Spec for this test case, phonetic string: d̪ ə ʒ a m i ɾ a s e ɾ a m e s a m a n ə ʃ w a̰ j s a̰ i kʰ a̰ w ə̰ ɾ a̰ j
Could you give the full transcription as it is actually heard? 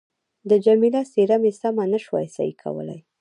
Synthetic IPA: d̪ ə d͡ʒ a m i l a s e ɾ a m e s a m a n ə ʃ w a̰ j s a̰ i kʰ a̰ w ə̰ l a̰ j